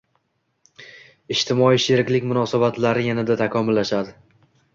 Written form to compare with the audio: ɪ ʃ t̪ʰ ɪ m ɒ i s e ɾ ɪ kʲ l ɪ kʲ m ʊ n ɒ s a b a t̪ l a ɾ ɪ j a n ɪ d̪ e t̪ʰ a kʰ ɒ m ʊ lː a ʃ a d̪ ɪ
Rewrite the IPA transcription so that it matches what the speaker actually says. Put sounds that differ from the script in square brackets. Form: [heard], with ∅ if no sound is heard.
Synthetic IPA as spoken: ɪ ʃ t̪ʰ ɪ m ɒ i [ʃ] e ɾ ɪ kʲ l ɪ kʲ m ʊ n ɒ s a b a t̪ l a ɾ ɪ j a n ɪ d̪ [a] t̪ʰ a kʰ ɒ m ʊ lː a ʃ a d̪ ɪ